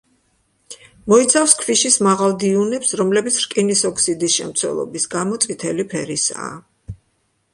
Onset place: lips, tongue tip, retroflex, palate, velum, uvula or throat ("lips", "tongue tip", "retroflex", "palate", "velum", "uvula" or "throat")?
lips